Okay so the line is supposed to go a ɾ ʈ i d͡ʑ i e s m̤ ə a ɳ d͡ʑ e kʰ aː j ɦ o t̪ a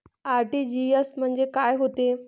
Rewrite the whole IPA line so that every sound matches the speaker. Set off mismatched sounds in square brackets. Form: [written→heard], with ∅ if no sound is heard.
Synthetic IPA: a ɾ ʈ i d͡ʑ i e s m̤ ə [a→ə] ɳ d͡ʑ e [kʰ→k] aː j ɦ o t̪ [a→e]